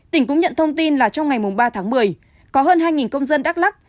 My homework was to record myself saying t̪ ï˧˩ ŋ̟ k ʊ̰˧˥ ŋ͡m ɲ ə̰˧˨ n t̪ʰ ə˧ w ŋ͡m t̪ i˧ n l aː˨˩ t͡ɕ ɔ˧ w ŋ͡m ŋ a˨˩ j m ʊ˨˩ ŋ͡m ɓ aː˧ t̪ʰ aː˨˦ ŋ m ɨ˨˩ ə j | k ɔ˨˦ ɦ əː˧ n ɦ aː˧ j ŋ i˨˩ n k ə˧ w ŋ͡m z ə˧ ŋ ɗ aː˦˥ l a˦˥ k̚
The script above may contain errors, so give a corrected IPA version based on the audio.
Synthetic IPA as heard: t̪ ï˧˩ ŋ̟ k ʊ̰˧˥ ŋ͡m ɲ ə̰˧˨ n t̪ʰ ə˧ w ŋ͡m t̪ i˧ n l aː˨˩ t͡ɕ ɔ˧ w ŋ͡m ŋ a˨˩ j m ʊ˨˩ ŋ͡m ɓ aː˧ t̪ʰ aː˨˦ ŋ m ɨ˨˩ ə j | k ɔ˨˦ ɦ əː˧ n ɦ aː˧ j ŋ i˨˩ n k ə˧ w ŋ͡m z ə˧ n ɗ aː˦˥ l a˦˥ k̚